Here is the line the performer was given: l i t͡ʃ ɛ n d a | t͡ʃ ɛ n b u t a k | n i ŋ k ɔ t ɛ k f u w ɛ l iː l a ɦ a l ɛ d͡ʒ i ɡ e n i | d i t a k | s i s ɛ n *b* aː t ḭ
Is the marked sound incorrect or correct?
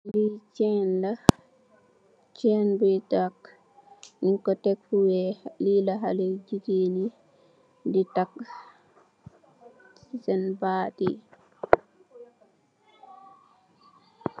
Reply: correct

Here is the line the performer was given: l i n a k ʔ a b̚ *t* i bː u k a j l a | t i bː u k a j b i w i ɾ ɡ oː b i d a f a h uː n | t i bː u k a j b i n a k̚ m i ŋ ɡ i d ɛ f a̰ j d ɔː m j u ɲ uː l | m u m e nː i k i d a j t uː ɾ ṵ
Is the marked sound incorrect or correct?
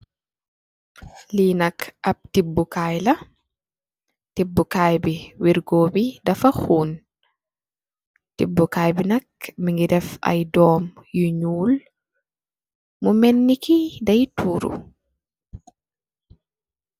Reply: correct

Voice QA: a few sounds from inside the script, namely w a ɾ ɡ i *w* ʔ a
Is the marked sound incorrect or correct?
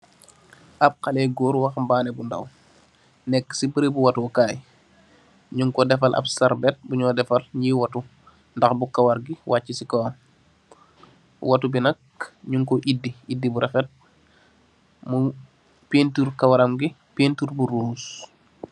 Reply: correct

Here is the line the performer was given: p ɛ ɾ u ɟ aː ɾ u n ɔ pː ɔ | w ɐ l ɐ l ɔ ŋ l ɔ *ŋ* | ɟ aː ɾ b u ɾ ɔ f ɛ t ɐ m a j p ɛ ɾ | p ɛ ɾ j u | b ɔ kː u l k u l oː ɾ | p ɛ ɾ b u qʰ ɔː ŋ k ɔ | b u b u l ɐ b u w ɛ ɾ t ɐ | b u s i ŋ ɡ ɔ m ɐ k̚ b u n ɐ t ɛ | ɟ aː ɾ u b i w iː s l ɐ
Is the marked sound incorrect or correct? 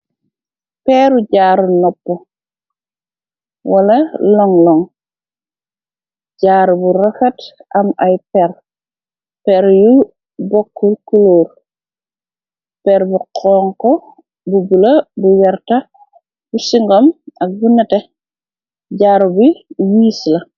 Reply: correct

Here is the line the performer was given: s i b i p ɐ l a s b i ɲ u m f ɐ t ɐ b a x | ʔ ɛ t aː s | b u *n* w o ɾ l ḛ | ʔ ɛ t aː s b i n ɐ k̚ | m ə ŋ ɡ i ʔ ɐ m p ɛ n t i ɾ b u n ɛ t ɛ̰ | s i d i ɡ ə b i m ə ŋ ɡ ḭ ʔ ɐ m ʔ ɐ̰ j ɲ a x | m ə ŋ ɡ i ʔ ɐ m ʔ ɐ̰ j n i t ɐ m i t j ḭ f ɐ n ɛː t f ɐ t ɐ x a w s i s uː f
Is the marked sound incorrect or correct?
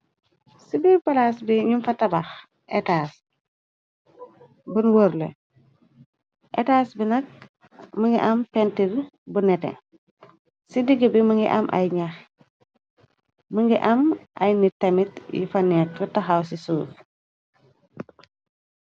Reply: correct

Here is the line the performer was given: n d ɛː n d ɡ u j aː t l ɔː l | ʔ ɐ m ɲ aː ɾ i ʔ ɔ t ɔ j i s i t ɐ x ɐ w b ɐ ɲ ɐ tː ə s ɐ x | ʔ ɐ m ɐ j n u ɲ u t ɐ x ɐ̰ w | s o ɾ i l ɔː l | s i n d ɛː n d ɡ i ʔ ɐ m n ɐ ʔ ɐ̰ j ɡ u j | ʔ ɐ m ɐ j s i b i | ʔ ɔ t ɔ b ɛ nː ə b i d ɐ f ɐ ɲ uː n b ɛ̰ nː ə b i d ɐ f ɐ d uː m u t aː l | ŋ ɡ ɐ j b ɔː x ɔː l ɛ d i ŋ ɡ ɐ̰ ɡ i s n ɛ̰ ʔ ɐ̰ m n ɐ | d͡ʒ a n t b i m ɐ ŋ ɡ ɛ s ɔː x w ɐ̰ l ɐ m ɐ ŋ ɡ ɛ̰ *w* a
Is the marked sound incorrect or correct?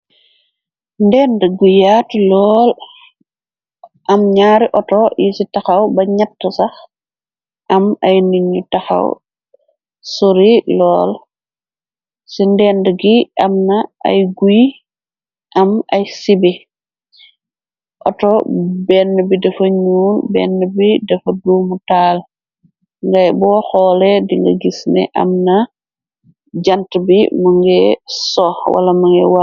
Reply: correct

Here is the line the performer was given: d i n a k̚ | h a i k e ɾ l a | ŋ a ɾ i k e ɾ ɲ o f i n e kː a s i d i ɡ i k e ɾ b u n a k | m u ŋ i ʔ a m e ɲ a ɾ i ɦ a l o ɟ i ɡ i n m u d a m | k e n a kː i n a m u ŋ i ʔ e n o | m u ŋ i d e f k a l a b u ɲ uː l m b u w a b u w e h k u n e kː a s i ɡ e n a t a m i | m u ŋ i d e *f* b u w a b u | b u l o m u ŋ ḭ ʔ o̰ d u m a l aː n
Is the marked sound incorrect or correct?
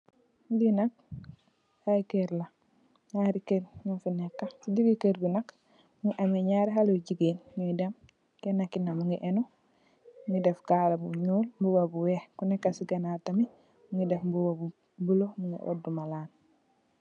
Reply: correct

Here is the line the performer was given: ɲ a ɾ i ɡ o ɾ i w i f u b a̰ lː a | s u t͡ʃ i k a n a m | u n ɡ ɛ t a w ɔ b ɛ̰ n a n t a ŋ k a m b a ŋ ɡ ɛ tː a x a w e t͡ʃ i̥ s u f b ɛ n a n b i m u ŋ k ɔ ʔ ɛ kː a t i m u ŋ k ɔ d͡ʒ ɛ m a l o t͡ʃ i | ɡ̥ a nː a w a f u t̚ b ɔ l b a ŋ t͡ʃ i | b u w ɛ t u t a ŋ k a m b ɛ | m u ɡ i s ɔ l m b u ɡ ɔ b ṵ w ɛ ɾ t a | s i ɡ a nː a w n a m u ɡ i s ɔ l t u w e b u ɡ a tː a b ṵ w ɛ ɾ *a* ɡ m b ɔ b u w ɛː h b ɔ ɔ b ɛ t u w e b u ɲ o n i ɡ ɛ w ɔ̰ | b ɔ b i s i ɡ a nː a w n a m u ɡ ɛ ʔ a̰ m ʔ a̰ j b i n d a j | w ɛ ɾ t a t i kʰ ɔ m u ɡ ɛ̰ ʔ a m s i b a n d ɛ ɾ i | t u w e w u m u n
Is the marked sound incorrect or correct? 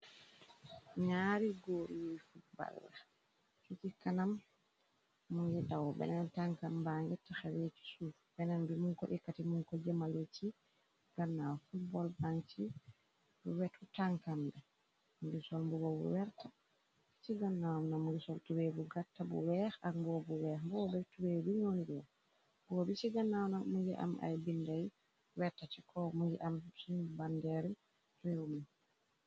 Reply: correct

